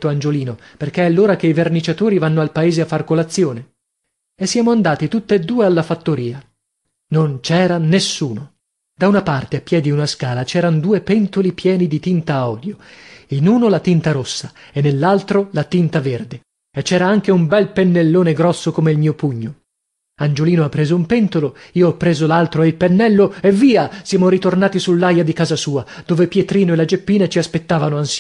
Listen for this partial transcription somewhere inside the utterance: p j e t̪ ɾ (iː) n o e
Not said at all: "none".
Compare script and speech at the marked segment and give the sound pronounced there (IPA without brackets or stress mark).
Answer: iː